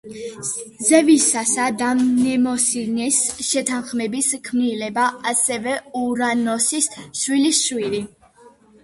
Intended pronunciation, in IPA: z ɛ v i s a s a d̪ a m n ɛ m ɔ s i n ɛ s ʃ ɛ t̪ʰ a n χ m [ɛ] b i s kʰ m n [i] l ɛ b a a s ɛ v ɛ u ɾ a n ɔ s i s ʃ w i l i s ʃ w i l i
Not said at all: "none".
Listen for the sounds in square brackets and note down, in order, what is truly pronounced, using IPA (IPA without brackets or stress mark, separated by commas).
ɛ, i